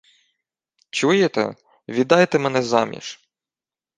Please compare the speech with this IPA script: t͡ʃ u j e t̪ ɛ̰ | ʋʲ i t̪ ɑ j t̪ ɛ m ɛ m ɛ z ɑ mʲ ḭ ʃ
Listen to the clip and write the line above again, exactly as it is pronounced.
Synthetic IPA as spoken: t͡ʃ u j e t̪ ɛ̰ | ʋʲ i d̪ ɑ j t̪ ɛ m ɛ n ɛ z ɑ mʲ ḭ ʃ